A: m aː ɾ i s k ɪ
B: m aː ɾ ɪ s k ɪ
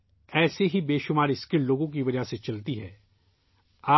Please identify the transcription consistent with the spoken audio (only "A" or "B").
B